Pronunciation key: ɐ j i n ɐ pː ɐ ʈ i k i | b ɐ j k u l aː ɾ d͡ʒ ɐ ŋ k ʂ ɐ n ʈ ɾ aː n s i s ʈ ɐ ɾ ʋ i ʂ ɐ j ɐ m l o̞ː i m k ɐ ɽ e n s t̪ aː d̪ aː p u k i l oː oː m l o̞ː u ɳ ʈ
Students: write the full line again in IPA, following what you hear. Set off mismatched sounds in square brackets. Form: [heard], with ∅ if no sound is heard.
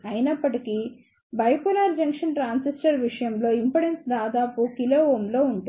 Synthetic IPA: ɐ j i n ɐ pː ɐ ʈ i k i | b ɐ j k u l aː ɾ d͡ʒ ɐ ŋ k ʂ ɐ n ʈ ɾ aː n s i s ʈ ɐ ɾ ʋ i ʂ ɐ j ɐ m l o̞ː i m [p] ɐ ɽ e n s [d̪] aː d̪ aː p u k i l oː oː m l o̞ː u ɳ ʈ